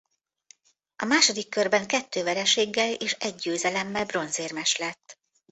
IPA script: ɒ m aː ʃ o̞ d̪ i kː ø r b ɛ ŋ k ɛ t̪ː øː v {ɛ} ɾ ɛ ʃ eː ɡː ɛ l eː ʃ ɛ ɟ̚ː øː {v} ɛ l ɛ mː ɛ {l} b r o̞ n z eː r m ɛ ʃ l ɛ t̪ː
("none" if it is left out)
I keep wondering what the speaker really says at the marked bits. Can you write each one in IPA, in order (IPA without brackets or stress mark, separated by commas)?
ɛ, z, l